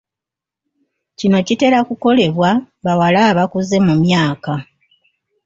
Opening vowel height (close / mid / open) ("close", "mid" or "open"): close